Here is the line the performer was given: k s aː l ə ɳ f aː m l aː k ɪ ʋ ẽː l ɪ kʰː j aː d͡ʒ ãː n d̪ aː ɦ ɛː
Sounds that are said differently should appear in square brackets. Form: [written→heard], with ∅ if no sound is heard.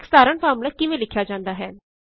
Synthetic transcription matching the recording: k s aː [l→ɾ] ə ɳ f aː m l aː k ɪ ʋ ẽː l ɪ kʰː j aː d͡ʒ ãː n d̪ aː ɦ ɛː